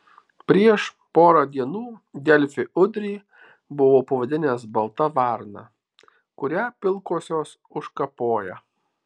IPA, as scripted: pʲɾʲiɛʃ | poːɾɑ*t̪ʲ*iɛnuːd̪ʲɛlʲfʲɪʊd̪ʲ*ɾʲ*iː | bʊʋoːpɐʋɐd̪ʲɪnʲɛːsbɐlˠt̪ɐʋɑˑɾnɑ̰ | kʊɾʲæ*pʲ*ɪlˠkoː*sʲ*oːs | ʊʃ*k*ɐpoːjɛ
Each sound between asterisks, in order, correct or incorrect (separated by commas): incorrect, correct, correct, correct, correct